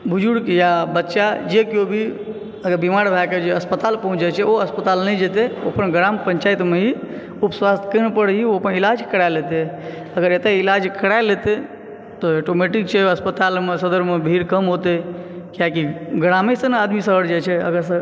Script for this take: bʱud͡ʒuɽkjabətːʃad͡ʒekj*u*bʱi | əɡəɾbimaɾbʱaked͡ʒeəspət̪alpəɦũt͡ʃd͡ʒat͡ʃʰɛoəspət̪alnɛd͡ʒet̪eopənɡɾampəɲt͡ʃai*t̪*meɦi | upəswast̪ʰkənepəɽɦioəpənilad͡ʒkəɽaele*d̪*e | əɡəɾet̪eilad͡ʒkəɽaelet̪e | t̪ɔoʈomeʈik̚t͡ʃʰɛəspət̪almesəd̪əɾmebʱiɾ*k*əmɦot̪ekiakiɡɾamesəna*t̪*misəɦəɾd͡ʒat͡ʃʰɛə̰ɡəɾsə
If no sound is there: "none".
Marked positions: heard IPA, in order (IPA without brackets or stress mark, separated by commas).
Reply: o, t̪, t̪, k, d̪